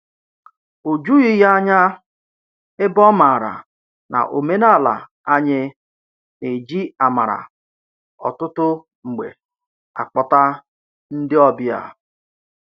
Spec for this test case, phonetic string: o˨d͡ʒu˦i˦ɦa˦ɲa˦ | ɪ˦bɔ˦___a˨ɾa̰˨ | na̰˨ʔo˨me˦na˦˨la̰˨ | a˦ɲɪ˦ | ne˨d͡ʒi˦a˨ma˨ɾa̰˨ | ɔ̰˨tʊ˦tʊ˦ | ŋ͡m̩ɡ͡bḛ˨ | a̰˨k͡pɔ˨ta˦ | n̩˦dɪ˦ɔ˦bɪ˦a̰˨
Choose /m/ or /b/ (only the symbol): m